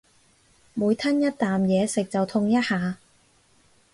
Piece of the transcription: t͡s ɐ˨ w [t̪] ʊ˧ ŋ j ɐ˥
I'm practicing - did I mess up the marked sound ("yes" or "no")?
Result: yes